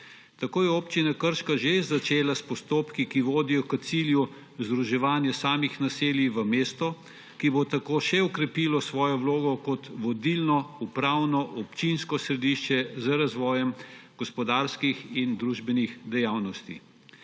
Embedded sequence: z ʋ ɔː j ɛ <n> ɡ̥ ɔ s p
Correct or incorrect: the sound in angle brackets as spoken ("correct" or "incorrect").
incorrect